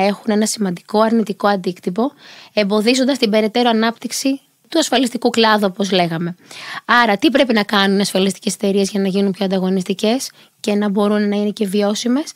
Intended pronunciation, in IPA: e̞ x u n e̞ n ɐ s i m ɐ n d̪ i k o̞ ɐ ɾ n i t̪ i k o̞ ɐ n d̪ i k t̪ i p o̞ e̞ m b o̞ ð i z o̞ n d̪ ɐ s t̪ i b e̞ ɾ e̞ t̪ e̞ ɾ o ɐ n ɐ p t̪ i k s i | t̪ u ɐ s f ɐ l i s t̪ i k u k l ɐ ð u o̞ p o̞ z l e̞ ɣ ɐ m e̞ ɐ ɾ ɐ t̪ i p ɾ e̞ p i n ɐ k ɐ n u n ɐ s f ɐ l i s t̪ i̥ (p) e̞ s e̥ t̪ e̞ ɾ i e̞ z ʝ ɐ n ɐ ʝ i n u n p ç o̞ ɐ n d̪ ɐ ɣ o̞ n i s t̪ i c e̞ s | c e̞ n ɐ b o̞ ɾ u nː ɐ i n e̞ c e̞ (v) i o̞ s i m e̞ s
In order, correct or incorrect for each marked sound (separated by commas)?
incorrect, correct